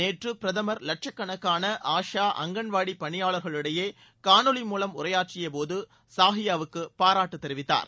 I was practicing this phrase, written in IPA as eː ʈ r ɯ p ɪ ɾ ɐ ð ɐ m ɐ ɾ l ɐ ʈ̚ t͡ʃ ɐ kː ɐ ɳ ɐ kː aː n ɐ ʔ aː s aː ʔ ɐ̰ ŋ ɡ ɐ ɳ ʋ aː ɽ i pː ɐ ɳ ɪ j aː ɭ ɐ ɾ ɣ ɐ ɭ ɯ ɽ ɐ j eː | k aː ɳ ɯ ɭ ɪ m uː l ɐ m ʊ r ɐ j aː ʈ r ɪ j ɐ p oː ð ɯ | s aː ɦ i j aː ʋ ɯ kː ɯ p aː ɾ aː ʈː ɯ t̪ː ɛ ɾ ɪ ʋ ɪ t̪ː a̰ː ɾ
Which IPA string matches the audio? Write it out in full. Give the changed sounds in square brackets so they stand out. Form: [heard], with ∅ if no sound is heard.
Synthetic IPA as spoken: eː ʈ r ɯ p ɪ ɾ ɐ ð ɐ m ɐ ɾ l ɐ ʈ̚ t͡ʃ ɐ kː ɐ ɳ ɐ kː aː n ɐ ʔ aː [ʂ] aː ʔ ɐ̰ ŋ ɡ ɐ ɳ ʋ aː ɽ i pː ɐ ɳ ɪ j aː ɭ ɐ ɾ ɣ ɐ ɭ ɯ ɽ ɐ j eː | k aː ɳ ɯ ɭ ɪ m uː l ɐ m ʊ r ɐ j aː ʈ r ɪ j ɐ p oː ð ɯ | s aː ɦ [ɪ] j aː ʋ ɯ kː ɯ p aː ɾ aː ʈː ɯ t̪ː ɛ ɾ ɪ ʋ ɪ t̪ː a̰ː ɾ

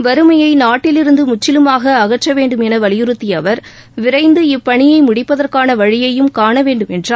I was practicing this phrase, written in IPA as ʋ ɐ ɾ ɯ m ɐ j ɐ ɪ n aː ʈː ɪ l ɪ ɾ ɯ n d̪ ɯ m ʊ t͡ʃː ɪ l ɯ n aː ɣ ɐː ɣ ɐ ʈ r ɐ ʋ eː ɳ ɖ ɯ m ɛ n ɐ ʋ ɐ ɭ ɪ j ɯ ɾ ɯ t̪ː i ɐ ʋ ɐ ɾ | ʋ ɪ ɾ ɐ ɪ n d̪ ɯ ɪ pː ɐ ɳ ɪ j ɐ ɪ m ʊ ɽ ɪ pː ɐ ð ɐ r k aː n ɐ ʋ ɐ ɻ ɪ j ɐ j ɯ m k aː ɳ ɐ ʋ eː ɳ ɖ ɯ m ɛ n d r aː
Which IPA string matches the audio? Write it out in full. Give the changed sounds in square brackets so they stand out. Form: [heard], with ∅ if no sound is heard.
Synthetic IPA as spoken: ʋ ɐ ɾ ɯ m ɐ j ɐ ɪ n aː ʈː ɪ l ɪ ɾ ɯ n d̪ ɯ m ʊ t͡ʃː ɪ l ɯ [m] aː ɣ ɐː ɣ ɐ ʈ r ɐ ʋ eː ɳ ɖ ɯ m ɛ n ɐ ʋ ɐ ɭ ɪ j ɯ ɾ ɯ t̪ː i ɐ ʋ ɐ ɾ | ʋ ɪ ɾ ɐ ɪ n d̪ ɯ ɪ pː ɐ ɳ ɪ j ɐ ɪ m ʊ ɽ ɪ pː ɐ ð ɐ r k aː n ɐ ʋ ɐ ɻ ɪ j ɐ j ɯ m k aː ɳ ɐ ʋ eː ɳ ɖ ɯ m ɛ n d r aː

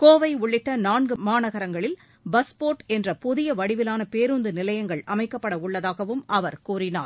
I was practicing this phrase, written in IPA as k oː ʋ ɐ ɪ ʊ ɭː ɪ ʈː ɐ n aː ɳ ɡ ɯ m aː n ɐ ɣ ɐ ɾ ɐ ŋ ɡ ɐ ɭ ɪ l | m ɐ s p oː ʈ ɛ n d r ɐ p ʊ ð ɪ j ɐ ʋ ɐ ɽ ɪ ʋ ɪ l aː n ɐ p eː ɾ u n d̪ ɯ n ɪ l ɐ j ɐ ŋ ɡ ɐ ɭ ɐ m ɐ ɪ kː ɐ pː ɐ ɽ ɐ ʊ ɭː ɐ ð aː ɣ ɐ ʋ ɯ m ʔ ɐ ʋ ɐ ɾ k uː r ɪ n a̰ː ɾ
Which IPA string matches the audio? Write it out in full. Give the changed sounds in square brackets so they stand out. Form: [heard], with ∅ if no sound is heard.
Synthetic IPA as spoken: k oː ʋ ɐ ɪ ʊ ɭː ɪ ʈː ɐ n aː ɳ ɡ ɯ m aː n ɐ ɣ ɐ ɾ ɐ ŋ ɡ ɐ ɭ ɪ l | [b] ɐ s p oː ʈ ɛ n d r ɐ p ʊ ð ɪ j ɐ ʋ ɐ ɽ ɪ ʋ ɪ l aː n ɐ p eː ɾ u n d̪ ɯ n ɪ l ɐ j ɐ ŋ ɡ ɐ ɭ ɐ m ɐ ɪ kː ɐ pː ɐ ɽ ɐ ʊ ɭː ɐ ð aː ɣ ɐ ʋ ɯ m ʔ ɐ ʋ ɐ ɾ k uː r ɪ n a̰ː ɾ

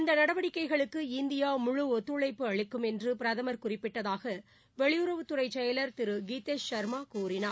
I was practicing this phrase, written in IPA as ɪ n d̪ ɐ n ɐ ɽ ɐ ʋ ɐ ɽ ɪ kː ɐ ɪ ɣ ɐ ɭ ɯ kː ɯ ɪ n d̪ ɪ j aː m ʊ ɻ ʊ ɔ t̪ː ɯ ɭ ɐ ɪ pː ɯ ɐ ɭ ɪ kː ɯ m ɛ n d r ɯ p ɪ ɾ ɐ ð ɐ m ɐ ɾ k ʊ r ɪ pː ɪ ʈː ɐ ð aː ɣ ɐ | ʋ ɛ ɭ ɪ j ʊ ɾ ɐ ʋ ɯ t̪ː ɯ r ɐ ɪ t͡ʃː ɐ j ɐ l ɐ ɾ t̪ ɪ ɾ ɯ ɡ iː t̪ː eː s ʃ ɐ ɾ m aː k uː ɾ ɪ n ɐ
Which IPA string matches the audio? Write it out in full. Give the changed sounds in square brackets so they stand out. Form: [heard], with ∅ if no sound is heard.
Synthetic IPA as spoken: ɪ n d̪ ɐ n ɐ ɽ ɐ ʋ ɐ ɽ ɪ kː ɐ ɪ ɣ ɐ ɭ ɯ kː ɯ ɪ n d̪ ɪ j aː m ʊ ɻ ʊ ɔ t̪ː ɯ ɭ ɐ ɪ pː ɯ ɐ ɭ ɪ kː ɯ m ɛ n d r ɯ p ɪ ɾ ɐ ð ɐ m ɐ ɾ k ʊ r ɪ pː ɪ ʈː ɐ ð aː ɣ ɐ | ʋ ɛ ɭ ɪ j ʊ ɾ ɐ ʋ ɯ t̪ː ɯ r ɐ ɪ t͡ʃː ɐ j ɐ l ɐ ɾ t̪ ɪ ɾ ɯ ɡ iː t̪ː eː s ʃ ɐ ɾ m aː k uː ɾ ɪ n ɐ

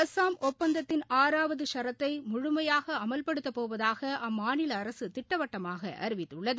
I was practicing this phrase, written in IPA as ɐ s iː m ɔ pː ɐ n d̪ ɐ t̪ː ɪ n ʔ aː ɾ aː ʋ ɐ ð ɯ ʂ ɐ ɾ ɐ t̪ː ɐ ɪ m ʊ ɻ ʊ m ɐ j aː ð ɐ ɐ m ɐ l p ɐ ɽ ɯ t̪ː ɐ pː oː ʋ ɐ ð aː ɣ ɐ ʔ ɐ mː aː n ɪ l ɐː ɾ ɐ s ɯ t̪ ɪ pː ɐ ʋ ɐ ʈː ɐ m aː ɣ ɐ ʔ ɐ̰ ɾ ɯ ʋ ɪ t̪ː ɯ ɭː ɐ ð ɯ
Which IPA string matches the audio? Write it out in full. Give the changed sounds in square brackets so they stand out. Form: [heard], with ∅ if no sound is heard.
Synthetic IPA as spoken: ɐ s [aː] m ɔ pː ɐ n d̪ ɐ t̪ː ɪ n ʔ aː ɾ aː ʋ ɐ ð ɯ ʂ ɐ ɾ ɐ t̪ː ɐ ɪ m ʊ ɻ ʊ m ɐ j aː [ɣ] ɐ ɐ m ɐ l p ɐ ɽ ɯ t̪ː ɐ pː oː ʋ ɐ ð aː ɣ ɐ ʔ ɐ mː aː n ɪ l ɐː ɾ ɐ s ɯ t̪ ɪ [ʈː] ɐ ʋ ɐ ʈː ɐ m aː ɣ ɐ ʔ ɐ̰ ɾ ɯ ʋ ɪ t̪ː ɯ ɭː ɐ ð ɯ

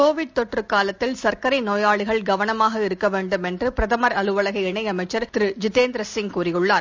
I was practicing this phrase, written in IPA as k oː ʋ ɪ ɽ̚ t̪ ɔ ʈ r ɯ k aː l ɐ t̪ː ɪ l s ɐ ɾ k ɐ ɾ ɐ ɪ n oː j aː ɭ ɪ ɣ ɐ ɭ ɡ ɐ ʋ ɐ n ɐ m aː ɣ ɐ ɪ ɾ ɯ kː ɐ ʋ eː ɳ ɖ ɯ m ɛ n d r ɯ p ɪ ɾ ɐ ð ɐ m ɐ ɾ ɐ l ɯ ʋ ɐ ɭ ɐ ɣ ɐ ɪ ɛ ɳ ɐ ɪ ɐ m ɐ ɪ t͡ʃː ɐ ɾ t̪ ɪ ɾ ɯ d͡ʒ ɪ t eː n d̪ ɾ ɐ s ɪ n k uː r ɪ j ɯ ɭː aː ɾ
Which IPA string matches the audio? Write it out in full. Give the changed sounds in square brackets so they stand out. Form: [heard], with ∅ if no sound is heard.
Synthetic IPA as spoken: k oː ʋ ɪ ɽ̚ t̪ ɔ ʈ r ɯ k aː l ɐ t̪ː ɪ l s ɐ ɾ k ɐ ɾ ɐ ɪ n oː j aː ɭ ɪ ɣ ɐ ɭ ɡ ɐ ʋ ɐ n ɐ m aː ɣ ɐ ɪ ɾ ɯ kː ɐ ʋ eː ɳ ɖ ɯ m ɛ n d r ɯ p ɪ ɾ ɐ ð ɐ m ɐ ɾ ɐ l ɯ ʋ ɐ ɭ ɐ ɣ ɐ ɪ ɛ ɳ ɐ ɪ ɐ m ɐ ɪ t͡ʃː ɐ ɾ t̪ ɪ ɾ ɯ d͡ʒ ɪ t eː n d̪ ɾ ɐ s ɪ [ŋ] k uː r ɪ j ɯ ɭː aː ɾ

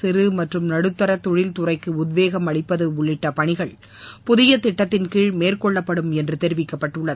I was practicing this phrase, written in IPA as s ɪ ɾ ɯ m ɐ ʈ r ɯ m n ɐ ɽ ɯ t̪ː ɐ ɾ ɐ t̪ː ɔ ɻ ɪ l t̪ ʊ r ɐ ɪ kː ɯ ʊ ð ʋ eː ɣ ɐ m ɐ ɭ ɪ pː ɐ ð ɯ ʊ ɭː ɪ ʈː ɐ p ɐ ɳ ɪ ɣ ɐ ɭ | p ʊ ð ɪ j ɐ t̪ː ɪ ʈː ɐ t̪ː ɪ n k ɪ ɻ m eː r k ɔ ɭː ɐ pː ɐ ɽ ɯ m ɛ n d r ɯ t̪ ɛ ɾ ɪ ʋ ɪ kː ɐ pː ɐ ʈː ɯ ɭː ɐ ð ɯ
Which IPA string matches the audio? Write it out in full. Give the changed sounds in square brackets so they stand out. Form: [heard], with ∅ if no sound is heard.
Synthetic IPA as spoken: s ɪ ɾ ɯ m ɐ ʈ r ɯ m n ɐ ɽ ɯ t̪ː ɐ ɾ ɐ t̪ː ɔ ɻ ɪ l t̪ ʊ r ɐ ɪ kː ɯ ʊ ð ʋ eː ɣ ɐ m ɐ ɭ ɪ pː ɐ ð ɯ ʊ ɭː ɪ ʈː ɐ p ɐ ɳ ɪ ɣ ɐ ɭ | p ʊ ð ɪ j ɐ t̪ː ɪ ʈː ɐ t̪ː ɪ n k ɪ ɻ m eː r k ɔ ɭː ɐ pː ɐ ɽ ɯ m ɛ n d r ɯ t̪ ɛ ɾ ɪ ʋ ɪ kː ɐ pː ɐ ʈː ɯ ɭː ɐ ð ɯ

